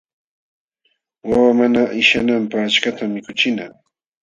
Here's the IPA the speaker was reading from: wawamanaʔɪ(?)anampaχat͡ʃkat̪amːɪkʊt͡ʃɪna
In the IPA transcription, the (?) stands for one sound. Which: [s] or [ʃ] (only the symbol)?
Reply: ʃ